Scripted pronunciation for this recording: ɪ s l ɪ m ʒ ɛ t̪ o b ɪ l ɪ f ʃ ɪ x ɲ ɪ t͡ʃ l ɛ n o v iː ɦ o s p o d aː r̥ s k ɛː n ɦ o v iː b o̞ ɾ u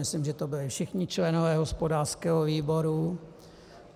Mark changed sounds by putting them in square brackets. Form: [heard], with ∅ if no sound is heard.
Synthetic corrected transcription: ɪ s l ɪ m ʒ ɛ t̪ o b ɪ l ɪ f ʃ ɪ x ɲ ɪ t͡ʃ l ɛ n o v [ɛː] ɦ o s p o d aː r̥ s k ɛː [∅] ɦ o v iː b o̞ ɾ u